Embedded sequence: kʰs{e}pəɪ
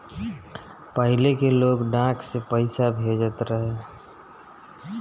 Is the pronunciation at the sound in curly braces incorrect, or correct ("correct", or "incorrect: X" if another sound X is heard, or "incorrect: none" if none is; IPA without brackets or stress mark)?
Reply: correct